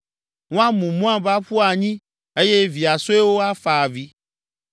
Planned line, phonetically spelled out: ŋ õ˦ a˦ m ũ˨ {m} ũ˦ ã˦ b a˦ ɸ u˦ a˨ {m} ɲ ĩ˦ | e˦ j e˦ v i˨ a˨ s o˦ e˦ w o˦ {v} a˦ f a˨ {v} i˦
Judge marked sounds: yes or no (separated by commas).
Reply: yes, no, no, yes